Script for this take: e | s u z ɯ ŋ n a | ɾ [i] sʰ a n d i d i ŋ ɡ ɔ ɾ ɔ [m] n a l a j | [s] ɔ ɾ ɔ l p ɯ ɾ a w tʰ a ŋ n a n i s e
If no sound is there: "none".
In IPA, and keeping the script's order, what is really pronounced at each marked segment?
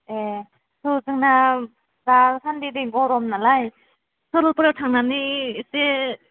a, m, s

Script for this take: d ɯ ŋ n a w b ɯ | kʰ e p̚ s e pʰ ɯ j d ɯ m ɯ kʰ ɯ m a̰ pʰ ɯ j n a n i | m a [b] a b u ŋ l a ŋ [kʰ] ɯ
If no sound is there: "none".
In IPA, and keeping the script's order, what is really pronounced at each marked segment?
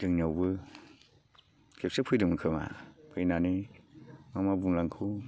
m, kʰ

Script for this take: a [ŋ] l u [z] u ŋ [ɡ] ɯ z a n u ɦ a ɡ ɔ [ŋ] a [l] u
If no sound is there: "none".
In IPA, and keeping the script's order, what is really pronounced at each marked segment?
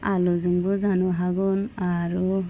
none, z, b, n, ɾ

